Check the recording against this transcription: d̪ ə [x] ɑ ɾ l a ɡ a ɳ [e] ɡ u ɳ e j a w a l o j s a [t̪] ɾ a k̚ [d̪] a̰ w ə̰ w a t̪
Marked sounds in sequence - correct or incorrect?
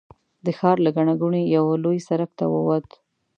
correct, incorrect, incorrect, incorrect

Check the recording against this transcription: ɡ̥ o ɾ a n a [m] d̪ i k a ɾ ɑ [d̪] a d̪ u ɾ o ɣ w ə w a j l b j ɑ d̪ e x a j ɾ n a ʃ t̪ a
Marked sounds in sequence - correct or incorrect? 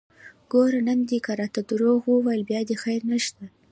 correct, incorrect

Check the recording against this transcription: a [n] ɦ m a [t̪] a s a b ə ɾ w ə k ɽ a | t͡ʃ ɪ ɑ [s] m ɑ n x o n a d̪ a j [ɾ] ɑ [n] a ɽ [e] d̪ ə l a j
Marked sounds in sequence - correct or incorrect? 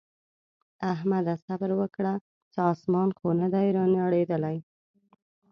incorrect, incorrect, correct, correct, correct, correct

